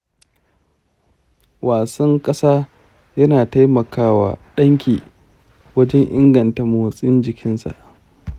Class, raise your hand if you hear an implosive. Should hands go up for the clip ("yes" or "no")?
yes